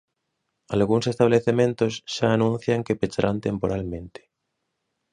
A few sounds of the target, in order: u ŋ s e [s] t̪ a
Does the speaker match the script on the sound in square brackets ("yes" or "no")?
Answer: yes